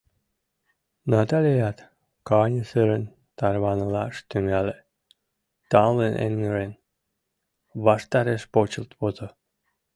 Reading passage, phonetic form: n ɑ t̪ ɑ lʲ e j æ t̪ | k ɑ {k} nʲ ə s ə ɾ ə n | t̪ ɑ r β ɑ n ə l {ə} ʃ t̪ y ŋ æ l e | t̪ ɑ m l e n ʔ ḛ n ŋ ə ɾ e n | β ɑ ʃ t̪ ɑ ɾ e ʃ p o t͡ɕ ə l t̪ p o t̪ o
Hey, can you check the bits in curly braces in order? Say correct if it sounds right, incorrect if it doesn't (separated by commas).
incorrect, incorrect